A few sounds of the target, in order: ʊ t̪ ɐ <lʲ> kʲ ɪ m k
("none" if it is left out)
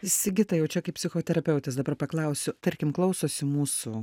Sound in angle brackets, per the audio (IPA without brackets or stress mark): ɾʲ